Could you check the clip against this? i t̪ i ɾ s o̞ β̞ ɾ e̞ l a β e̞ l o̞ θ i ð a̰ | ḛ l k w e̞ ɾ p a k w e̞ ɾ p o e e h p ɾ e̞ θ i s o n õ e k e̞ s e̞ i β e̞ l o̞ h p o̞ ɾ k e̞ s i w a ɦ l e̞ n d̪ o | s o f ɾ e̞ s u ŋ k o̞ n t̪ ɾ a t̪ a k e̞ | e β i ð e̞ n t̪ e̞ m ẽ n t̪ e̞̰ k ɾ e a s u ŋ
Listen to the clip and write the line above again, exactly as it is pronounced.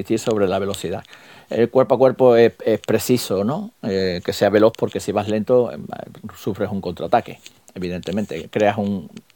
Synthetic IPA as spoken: i t̪ i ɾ s o̞ β̞ ɾ e̞ l a β e̞ l o̞ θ i ð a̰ | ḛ l k w e̞ ɾ p a k w e̞ ɾ p o e e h p ɾ e̞ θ i s o n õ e k e̞ s e̞ a β e̞ l o̞ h p o̞ ɾ k e̞ s i β a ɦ l e̞ n t̪ o | s u f ɾ e̞ s u ŋ k o̞ n t̪ ɾ a t̪ a k e̞ | e β i ð e̞ n t̪ e̞ m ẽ n t̪ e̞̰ k ɾ e a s u ŋ